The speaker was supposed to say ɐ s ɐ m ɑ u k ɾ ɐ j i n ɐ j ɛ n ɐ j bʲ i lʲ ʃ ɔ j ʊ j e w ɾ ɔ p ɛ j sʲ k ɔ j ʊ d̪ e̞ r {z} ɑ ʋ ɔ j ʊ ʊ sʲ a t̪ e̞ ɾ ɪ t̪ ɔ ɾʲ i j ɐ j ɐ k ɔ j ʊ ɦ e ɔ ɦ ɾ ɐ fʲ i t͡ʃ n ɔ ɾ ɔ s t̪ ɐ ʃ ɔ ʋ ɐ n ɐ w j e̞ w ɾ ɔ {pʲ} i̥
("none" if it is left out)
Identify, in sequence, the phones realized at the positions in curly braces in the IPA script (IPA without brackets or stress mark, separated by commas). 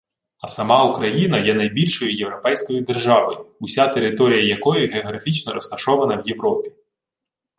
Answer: ʒ, pʲ